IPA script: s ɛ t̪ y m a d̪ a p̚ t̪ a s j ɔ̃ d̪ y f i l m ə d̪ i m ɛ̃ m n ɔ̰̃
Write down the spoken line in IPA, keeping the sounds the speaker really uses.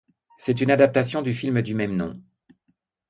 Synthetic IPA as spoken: s ɛ t̪ y n a d̪ a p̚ t̪ a s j ɔ̃ d̪ y f i l m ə d̪ y m ɛ m n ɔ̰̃